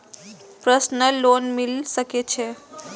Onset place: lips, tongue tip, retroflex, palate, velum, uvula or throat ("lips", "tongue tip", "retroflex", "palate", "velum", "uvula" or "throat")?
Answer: lips